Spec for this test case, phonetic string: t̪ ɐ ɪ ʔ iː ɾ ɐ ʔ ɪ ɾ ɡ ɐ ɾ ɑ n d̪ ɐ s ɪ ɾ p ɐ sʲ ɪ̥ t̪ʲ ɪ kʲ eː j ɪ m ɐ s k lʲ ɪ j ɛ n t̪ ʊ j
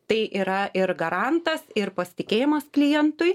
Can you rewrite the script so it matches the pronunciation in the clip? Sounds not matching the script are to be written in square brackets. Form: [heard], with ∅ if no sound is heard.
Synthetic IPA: t̪ ɐ ɪ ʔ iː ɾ ɐ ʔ ɪ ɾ ɡ ɐ ɾ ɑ n [t̪] ɐ s ɪ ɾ p ɐ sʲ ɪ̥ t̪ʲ ɪ kʲ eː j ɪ m ɐ s k lʲ ɪ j ɛ n t̪ ʊ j